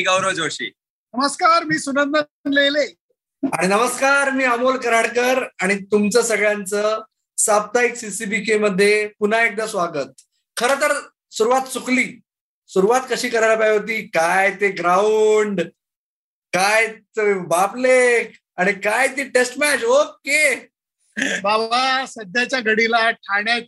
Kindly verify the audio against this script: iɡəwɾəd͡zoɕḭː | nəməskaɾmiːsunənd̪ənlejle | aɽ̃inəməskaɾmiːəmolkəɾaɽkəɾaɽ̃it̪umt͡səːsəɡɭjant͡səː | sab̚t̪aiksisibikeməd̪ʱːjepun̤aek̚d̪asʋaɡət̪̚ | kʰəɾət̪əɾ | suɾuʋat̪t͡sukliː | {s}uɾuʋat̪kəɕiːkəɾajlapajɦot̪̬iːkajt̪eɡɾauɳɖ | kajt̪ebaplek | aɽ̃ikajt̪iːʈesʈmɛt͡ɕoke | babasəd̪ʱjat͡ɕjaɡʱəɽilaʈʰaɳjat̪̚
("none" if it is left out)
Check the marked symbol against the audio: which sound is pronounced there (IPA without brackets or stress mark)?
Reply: s